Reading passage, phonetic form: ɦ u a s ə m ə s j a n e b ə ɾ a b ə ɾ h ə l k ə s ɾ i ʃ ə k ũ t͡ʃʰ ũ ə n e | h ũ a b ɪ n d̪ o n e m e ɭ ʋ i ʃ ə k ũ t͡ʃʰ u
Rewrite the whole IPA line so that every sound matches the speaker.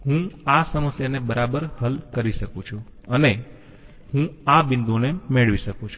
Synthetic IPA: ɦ ũ a s ə m ə s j a n e b ə ɾ a b ə ɾ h ə l k ə ɾ i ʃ ə k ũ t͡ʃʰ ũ ə n e | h ũ a b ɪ n d̪ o n e m e ɭ ʋ i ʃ ə k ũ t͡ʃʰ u